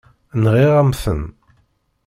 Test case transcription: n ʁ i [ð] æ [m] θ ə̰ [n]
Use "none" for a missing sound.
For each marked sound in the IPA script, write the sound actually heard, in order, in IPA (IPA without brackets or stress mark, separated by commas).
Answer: ʁ, m, n